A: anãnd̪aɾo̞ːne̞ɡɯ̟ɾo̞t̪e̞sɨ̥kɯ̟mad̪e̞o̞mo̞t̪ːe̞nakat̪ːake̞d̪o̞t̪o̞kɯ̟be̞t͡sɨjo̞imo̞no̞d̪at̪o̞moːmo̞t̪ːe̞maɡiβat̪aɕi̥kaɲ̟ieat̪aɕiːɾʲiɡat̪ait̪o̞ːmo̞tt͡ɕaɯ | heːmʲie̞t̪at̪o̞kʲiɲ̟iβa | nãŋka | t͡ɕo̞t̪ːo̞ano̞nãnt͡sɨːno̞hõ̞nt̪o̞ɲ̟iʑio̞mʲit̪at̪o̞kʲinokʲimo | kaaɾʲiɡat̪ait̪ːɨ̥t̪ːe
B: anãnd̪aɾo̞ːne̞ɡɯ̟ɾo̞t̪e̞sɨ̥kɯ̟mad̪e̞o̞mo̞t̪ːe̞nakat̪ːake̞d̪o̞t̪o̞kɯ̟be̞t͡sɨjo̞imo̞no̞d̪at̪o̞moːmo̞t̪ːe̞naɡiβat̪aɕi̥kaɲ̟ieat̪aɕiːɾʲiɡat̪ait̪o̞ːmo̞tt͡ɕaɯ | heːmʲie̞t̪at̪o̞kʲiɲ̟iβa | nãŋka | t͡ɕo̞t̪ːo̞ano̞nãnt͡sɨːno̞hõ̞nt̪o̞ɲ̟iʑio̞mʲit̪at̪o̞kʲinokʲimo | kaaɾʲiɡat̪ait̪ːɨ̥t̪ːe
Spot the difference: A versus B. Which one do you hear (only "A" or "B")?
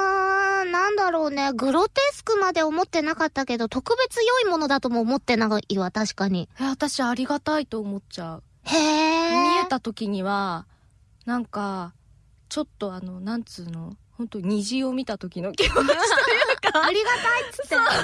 B